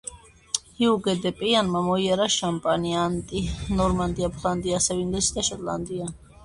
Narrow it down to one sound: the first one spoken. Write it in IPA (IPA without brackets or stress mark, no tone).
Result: h